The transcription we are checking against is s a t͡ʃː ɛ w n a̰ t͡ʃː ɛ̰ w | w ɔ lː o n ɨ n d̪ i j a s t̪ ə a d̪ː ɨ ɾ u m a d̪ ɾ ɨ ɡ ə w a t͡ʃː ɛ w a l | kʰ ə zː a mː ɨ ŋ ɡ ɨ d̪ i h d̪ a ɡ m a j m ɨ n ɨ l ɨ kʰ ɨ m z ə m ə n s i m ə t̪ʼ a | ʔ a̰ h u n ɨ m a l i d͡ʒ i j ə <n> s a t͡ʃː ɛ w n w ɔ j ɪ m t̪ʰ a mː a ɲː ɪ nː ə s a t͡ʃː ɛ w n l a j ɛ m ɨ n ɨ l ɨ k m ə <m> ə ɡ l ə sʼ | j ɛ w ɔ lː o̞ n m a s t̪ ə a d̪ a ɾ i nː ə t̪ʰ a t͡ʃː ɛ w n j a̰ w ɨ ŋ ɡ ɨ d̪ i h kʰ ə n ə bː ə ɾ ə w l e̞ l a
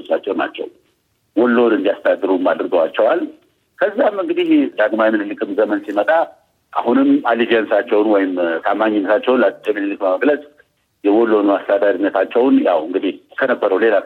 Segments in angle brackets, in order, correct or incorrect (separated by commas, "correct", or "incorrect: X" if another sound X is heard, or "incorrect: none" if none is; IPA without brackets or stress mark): correct, correct